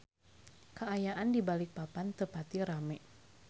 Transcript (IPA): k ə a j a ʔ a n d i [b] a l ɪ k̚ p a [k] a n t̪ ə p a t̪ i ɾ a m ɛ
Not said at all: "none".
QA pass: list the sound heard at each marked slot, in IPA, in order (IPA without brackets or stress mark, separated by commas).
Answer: b, p